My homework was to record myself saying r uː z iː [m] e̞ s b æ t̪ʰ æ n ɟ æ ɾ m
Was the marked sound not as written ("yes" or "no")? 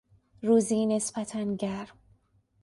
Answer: yes